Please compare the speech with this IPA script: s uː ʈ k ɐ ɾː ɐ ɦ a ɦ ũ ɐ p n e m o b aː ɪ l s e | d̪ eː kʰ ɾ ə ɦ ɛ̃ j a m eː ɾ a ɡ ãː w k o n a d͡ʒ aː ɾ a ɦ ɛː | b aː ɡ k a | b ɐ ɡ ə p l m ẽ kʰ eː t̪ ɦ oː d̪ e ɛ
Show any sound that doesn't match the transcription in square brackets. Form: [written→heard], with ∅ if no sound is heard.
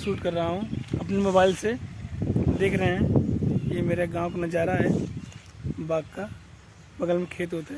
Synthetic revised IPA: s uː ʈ k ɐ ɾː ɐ ɦ a ɦ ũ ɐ p n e m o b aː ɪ l s e | d̪ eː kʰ ɾ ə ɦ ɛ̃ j [a→e] m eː ɾ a ɡ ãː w k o n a d͡ʒ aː ɾ a ɦ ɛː | b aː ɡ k a | b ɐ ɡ ə [p→∅] l m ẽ kʰ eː t̪ ɦ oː [d̪→t̪] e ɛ

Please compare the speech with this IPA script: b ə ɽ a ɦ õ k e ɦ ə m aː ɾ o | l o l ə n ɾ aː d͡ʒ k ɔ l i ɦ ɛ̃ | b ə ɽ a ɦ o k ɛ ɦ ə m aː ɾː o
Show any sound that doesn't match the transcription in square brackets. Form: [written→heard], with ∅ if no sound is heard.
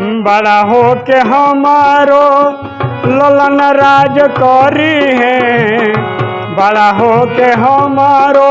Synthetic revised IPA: b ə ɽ a ɦ [õ→o] k e ɦ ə m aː ɾ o | l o l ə n ɾ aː d͡ʒ k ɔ [l→ɾ] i ɦ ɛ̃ | b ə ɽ a ɦ o k [ɛ→e] ɦ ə m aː [ɾː→ɾ] o

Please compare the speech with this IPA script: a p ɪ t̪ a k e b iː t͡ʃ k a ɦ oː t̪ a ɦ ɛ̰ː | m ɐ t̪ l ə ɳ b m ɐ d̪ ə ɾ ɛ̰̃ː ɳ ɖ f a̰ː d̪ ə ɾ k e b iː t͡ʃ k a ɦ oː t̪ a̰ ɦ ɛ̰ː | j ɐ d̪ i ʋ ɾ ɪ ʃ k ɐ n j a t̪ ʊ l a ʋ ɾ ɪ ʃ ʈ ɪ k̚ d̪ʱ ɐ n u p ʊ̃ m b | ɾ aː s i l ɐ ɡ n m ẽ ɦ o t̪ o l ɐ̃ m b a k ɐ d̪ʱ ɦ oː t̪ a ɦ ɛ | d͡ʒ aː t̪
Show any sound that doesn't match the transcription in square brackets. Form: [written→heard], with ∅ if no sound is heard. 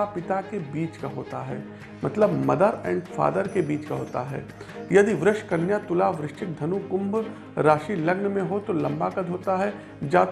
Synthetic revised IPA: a p ɪ t̪ a k e b iː t͡ʃ k a ɦ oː t̪ a ɦ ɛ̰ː | m ɐ t̪ l ə [ɳ→∅] b m ɐ d̪ ə ɾ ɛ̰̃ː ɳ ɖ f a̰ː d̪ ə ɾ k e b iː t͡ʃ k a ɦ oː t̪ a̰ ɦ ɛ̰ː | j ɐ d̪ i ʋ ɾ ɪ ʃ k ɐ n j a t̪ ʊ l a ʋ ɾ ɪ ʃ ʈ ɪ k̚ d̪ʱ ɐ n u [p→k] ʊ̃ m b | ɾ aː [s→ʃ] i l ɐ ɡ n m ẽ ɦ o t̪ o l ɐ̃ m b a k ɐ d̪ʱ ɦ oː t̪ a ɦ ɛ | d͡ʒ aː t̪

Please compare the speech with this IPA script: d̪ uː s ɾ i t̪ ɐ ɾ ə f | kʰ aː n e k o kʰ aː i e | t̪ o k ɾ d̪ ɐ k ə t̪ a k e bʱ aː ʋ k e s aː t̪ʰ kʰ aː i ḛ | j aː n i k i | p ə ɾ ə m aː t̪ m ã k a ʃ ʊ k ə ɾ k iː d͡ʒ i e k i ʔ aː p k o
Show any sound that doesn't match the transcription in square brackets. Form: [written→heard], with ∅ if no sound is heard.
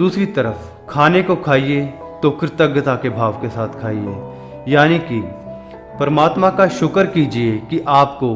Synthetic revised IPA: d̪ uː s ɾ i t̪ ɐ ɾ ə f | kʰ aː n e k o kʰ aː i e | t̪ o k ɾ [d̪→t̪] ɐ [k→ɡ] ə t̪ a k e bʱ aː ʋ k e s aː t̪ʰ kʰ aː i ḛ | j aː n i k i | p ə ɾ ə m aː t̪ m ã k a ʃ ʊ k ə ɾ k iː d͡ʒ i e k i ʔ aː p k o

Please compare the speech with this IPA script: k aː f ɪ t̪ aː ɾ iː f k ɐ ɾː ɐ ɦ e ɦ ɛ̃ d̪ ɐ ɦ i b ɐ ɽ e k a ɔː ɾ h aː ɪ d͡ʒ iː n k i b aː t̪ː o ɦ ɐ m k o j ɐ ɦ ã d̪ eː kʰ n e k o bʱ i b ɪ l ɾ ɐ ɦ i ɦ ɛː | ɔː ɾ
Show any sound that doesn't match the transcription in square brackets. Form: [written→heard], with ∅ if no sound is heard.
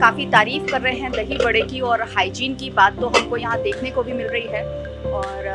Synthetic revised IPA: k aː f [ɪ→i] t̪ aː ɾ iː f k ɐ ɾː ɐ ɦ e ɦ ɛ̃ d̪ ɐ ɦ i b ɐ ɽ e k [a→i] ɔː ɾ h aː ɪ d͡ʒ iː n k i b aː t̪ː o ɦ ɐ m k o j ɐ ɦ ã d̪ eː kʰ n e k o bʱ i [b→m] ɪ l ɾ ɐ ɦ i ɦ ɛː | ɔː ɾ

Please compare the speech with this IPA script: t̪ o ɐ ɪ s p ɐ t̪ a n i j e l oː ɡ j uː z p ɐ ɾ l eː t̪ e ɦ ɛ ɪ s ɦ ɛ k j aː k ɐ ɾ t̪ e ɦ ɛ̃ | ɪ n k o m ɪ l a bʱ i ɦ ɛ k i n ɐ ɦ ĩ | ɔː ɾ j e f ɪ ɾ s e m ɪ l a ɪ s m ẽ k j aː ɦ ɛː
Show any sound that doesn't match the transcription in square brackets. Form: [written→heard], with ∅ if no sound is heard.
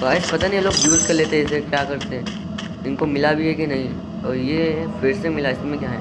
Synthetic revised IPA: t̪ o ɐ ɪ s p ɐ t̪ a n i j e l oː ɡ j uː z [p→k] ɐ ɾ l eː t̪ e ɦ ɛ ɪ s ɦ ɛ k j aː k ɐ ɾ t̪ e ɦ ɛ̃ | ɪ n k o m ɪ l a bʱ i ɦ ɛ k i n ɐ ɦ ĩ | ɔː ɾ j e f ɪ ɾ s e m ɪ l a ɪ s m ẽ k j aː ɦ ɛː

